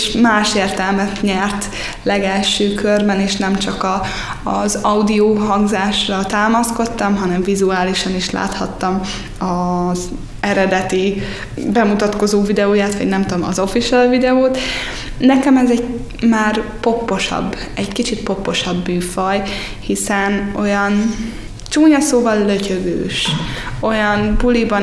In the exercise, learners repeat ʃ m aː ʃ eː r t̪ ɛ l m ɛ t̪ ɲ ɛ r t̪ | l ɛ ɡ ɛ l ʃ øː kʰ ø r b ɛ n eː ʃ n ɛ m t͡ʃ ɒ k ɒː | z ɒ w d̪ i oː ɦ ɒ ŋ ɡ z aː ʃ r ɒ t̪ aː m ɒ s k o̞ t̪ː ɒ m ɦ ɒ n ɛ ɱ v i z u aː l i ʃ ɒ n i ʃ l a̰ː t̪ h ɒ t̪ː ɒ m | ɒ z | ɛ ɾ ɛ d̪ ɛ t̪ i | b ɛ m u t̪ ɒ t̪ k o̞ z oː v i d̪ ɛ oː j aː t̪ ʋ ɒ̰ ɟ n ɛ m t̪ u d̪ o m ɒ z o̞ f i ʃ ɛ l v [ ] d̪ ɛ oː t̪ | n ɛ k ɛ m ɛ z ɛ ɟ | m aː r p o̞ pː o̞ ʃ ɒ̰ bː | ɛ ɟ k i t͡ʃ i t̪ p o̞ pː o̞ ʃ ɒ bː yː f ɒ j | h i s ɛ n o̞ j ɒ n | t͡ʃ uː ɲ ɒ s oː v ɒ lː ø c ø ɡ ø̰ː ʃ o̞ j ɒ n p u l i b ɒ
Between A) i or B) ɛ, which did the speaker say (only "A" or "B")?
A